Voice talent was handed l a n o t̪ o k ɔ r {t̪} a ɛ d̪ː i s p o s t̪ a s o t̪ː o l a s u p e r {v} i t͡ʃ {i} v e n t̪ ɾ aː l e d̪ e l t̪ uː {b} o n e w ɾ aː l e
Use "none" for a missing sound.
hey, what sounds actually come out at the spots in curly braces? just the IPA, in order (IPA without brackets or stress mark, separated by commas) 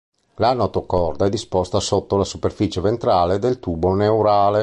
d̪, f, e, b